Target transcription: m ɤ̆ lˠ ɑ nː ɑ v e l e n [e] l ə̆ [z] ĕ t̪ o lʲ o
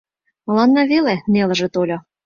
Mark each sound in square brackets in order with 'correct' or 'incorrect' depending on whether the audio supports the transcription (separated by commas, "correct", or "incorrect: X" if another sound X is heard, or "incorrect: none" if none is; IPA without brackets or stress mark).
correct, incorrect: ʒ